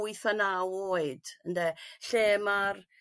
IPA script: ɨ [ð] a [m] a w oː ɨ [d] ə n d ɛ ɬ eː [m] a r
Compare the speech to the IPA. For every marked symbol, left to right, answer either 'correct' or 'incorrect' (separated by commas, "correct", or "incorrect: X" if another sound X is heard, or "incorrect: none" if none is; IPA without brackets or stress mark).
incorrect: θ, incorrect: n, correct, correct